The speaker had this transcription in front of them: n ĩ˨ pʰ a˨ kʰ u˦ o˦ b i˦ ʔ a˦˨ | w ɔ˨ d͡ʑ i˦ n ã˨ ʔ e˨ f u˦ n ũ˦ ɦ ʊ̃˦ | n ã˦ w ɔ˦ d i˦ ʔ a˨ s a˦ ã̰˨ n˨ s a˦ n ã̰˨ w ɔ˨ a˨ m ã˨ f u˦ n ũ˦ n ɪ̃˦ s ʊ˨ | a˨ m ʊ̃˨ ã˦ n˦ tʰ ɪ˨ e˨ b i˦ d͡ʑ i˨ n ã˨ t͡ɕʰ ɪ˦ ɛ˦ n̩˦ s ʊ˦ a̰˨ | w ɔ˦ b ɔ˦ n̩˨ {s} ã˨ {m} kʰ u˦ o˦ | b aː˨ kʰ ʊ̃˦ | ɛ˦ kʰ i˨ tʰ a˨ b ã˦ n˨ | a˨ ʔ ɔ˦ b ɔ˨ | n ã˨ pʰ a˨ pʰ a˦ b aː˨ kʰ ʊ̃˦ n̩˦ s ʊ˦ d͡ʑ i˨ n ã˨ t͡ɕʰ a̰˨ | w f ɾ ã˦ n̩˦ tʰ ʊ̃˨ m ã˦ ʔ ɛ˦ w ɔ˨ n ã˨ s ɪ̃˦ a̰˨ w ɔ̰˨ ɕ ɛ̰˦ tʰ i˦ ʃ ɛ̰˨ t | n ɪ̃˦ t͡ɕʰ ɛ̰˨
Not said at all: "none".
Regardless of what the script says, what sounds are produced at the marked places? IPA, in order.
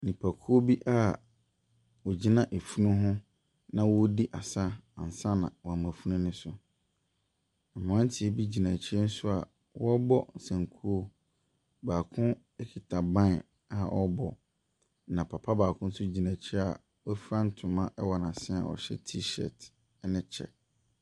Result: s, ŋ

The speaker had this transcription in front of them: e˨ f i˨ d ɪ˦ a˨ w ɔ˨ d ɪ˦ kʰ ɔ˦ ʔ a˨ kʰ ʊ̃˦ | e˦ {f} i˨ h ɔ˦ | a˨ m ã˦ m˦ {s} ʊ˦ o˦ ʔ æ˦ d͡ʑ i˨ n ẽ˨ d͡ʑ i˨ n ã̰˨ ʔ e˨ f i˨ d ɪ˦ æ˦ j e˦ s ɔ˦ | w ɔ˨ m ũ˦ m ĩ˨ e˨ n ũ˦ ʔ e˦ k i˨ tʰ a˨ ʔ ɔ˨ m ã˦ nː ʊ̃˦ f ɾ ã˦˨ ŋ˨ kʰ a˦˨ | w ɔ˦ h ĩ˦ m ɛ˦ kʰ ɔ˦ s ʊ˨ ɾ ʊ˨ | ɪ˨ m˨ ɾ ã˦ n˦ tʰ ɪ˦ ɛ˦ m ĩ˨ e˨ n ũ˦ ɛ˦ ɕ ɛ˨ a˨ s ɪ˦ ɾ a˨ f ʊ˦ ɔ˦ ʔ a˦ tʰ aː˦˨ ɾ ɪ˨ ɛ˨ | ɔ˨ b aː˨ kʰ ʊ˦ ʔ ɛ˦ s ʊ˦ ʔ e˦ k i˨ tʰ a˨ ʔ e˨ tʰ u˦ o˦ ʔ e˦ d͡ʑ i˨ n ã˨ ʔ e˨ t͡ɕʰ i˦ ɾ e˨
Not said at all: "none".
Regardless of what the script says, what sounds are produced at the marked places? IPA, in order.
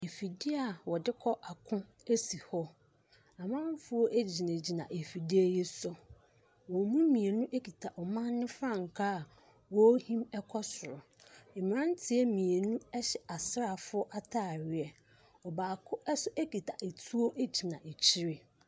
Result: s, f

